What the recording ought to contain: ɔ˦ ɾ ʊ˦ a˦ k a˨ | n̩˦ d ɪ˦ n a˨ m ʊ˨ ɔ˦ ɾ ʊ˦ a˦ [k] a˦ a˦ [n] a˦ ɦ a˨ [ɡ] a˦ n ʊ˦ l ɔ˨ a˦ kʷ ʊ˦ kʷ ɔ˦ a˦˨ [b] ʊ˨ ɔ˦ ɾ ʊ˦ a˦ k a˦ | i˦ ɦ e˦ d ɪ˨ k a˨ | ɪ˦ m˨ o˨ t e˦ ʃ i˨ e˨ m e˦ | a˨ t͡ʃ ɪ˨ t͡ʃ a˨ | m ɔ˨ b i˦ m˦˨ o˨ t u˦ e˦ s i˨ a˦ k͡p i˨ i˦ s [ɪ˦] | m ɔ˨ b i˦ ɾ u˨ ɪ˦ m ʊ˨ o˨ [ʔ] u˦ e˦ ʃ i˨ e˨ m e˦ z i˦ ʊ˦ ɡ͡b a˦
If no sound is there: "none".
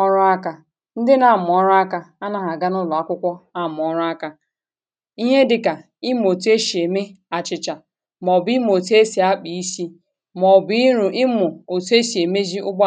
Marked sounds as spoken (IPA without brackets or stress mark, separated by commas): k, n, ɡ, m, i˦, t